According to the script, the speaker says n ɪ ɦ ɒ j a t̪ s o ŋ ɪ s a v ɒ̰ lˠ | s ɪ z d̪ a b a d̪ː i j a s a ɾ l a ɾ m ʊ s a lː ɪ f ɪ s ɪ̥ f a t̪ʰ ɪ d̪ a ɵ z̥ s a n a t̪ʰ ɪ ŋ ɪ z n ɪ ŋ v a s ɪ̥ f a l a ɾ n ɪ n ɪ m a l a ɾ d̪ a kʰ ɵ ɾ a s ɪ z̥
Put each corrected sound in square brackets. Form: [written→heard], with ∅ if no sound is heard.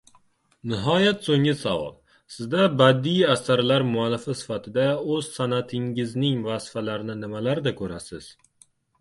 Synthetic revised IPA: n ɪ ɦ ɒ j a t̪ s o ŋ ɪ s a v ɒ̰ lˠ | s ɪ z d̪ a b a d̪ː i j a s a ɾ l a ɾ m ʊ [s→∅] a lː ɪ f ɪ s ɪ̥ f a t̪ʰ ɪ d̪ a ɵ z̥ s a n a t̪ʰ ɪ ŋ ɪ z n ɪ ŋ v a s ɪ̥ f a l a ɾ n ɪ n ɪ m a l a ɾ d̪ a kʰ ɵ ɾ a s ɪ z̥